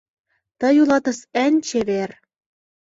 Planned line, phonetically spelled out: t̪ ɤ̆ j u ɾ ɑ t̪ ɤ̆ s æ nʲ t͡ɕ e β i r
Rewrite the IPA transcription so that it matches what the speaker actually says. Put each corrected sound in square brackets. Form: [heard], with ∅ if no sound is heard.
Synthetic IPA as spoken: t̪ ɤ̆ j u [l] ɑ t̪ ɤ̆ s æ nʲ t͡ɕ e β [e] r